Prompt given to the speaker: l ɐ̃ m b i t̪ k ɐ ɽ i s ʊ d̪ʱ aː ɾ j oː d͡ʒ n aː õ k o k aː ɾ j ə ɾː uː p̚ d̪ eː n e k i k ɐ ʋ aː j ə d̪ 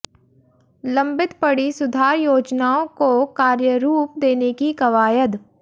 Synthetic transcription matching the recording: l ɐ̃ m b ɪ t̪ p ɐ ɽ i s ʊ d̪ʱ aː ɾ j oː d͡ʒ n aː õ k o k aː ɾ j ə ɾ uː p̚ d̪ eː n e k i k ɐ ʋ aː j ə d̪